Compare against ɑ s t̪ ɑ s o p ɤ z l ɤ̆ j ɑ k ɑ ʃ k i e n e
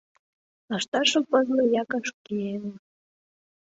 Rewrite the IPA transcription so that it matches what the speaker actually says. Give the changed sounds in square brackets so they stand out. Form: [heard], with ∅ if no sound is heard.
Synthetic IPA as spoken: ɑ [ʃ] t̪ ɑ [ʃ] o p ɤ z l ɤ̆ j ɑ k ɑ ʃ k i e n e